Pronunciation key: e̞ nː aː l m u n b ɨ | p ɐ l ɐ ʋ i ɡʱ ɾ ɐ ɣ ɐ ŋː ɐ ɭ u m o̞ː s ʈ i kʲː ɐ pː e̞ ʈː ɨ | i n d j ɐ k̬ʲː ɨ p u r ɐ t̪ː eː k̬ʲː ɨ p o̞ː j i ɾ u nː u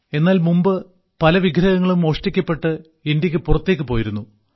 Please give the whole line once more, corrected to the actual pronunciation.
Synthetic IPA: e̞ nː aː l m u m b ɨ | p ɐ l ɐ ʋ i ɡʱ ɾ ɐ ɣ ɐ ŋː ɐ ɭ u m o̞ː ʂ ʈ i kʲː ɐ pː e̞ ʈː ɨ | i n d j ɐ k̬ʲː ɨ p u r ɐ t̪ː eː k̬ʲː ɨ p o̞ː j i ɾ u nː u